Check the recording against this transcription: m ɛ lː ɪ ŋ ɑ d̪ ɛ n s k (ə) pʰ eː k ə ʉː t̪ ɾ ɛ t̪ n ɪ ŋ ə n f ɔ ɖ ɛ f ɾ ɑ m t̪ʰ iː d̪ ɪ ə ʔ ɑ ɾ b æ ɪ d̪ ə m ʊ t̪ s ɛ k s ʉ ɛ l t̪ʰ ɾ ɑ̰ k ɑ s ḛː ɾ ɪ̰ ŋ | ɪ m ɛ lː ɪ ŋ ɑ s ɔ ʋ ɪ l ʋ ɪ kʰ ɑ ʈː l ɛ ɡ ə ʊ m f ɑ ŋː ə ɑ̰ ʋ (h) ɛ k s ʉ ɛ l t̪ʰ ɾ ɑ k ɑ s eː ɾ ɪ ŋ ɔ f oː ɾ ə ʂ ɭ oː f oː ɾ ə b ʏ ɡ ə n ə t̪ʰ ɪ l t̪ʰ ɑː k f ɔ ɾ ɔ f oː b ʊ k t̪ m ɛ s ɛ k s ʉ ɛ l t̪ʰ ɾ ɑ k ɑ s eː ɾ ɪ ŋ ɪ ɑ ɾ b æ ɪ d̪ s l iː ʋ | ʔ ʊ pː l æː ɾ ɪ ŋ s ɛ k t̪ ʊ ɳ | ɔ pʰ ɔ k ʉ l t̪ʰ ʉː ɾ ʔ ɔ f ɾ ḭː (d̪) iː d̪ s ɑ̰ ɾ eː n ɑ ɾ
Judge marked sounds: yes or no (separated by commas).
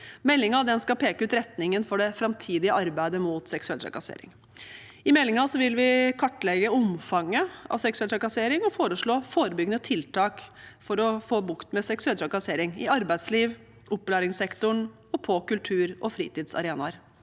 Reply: no, no, no